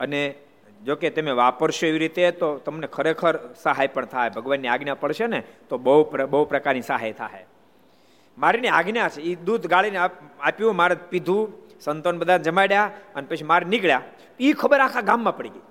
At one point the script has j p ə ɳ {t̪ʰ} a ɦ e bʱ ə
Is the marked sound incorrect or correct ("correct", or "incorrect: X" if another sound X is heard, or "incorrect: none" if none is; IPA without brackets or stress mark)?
correct